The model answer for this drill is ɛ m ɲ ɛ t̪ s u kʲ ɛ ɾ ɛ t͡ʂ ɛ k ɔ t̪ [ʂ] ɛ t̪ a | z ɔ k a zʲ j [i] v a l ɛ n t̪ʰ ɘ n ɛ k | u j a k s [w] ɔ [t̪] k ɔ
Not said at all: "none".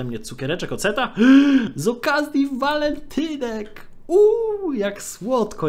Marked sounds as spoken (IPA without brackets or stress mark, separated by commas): s, i, w, t̪